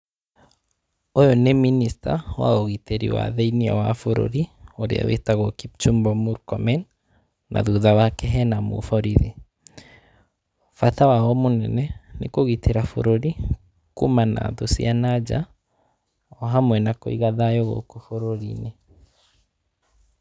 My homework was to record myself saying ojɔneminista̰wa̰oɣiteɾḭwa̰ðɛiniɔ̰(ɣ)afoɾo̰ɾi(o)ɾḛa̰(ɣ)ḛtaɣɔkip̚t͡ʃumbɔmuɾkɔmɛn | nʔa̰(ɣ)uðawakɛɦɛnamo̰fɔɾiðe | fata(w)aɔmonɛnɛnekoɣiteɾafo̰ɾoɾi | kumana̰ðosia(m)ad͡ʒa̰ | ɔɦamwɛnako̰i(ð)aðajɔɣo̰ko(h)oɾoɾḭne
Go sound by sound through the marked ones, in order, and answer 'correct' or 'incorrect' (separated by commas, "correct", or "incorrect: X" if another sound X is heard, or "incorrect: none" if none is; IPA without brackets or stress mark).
incorrect: w, correct, incorrect: w, incorrect: ð, correct, incorrect: n, incorrect: ɣ, incorrect: f